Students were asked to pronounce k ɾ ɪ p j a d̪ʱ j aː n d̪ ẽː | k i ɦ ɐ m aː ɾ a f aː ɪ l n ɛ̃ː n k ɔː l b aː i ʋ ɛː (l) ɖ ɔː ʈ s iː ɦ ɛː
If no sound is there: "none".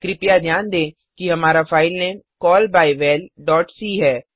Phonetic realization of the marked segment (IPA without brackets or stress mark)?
l